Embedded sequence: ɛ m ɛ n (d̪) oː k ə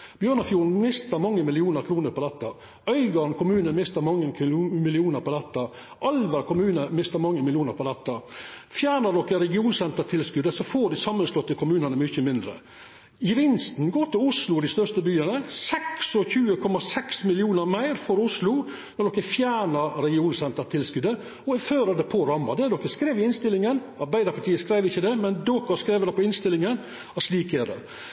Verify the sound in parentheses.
correct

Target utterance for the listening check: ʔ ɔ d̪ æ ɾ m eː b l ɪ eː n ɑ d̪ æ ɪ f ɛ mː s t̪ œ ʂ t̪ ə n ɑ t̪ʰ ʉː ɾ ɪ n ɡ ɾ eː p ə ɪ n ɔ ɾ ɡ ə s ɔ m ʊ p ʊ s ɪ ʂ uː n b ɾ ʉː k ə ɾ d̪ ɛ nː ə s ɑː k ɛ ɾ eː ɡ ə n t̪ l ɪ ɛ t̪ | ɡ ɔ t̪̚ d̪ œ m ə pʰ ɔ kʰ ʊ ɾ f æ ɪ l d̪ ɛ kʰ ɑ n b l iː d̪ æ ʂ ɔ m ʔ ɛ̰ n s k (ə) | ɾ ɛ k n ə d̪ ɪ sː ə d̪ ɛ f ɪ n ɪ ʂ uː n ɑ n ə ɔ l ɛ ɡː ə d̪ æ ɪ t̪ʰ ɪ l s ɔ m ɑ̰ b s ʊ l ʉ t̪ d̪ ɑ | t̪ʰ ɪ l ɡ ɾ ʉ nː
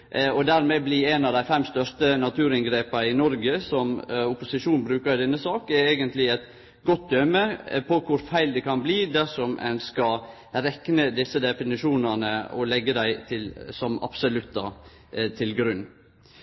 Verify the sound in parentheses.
incorrect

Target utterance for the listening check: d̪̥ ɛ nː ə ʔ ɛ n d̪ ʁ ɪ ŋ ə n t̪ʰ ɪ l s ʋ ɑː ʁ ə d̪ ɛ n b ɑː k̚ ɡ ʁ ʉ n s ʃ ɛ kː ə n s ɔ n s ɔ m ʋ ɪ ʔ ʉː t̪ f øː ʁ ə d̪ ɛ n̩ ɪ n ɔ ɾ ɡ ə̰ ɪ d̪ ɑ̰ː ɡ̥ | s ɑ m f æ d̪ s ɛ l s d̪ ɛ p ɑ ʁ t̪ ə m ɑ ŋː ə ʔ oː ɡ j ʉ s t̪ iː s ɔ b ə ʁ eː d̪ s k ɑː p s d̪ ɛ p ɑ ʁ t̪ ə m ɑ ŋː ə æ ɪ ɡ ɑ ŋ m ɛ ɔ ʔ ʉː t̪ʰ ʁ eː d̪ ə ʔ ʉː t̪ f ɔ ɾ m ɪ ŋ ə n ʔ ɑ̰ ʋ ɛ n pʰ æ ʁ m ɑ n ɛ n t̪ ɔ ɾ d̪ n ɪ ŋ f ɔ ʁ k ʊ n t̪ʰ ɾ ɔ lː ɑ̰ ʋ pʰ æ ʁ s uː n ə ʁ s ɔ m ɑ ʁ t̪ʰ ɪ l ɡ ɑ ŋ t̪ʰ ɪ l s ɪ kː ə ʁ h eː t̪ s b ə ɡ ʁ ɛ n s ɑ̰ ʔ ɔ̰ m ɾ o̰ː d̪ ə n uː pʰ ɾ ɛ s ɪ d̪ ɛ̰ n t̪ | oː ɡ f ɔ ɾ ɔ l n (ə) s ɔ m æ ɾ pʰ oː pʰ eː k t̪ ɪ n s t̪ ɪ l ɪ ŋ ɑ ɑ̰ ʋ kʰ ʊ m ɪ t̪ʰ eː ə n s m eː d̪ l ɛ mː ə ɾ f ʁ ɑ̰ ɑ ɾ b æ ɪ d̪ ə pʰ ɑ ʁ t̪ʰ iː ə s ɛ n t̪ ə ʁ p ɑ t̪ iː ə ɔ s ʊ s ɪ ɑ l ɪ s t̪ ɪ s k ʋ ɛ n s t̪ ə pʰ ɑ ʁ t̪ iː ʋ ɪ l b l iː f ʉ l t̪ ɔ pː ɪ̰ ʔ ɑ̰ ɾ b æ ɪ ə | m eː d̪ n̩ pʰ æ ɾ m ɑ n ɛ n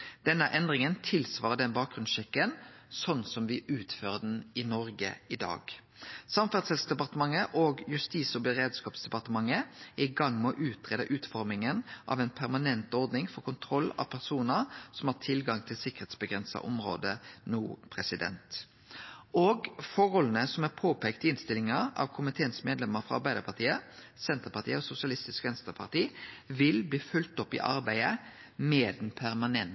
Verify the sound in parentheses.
correct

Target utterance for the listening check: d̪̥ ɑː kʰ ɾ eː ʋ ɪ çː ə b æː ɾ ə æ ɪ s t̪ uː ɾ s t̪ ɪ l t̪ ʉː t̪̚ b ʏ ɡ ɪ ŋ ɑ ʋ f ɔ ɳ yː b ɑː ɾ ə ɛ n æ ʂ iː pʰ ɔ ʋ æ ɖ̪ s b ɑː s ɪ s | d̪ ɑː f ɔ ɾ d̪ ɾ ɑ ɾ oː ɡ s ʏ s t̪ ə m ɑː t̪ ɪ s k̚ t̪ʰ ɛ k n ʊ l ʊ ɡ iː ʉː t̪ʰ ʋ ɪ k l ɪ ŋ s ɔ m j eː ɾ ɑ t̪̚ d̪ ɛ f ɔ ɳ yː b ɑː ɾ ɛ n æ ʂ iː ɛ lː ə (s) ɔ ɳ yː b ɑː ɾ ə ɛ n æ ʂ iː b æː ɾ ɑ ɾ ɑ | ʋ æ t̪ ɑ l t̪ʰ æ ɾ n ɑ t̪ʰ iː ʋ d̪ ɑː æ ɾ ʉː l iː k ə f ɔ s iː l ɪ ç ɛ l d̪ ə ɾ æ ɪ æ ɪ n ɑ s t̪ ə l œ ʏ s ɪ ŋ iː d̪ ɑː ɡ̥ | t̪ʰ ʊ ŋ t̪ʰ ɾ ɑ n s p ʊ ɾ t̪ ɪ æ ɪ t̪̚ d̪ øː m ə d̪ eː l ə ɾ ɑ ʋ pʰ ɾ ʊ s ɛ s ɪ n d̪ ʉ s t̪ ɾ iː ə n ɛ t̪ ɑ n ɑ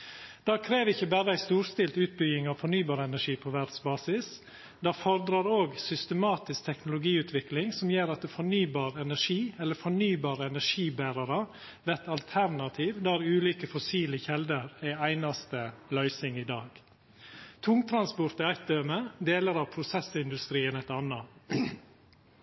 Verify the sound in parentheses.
incorrect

